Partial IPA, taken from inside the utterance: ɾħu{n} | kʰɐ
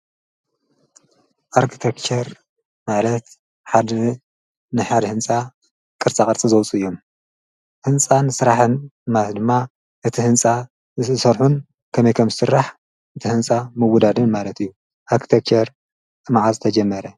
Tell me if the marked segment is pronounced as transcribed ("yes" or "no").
yes